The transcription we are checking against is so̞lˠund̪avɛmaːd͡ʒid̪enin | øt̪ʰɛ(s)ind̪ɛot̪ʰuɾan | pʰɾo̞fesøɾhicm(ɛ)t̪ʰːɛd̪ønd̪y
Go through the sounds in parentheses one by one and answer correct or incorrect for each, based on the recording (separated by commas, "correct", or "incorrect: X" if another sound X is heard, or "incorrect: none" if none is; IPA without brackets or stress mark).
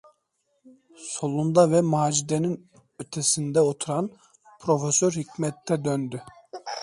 correct, correct